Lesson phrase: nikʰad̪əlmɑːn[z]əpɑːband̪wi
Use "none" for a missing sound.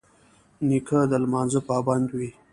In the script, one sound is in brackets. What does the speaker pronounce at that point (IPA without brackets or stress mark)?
z